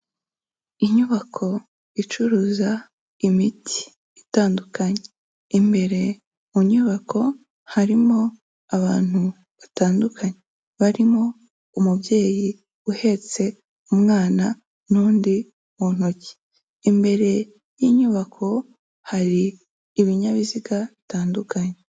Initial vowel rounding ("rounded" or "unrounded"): unrounded